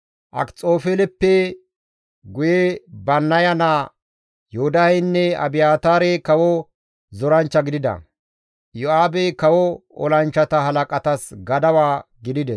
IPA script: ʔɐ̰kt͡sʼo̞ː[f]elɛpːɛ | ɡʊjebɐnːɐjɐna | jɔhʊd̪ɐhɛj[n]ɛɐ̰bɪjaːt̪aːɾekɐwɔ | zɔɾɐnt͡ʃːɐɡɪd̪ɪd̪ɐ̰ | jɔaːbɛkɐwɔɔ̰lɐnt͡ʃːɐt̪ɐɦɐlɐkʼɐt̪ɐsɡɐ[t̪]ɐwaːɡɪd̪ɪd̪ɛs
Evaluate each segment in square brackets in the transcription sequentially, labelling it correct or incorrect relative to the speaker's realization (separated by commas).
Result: correct, incorrect, incorrect